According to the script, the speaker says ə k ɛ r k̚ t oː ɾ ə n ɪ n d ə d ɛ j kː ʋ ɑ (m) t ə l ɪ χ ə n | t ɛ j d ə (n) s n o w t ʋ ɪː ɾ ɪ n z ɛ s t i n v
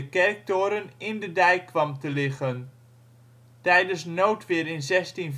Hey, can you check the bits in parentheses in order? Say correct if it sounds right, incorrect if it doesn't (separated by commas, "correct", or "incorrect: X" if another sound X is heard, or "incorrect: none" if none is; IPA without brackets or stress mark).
correct, correct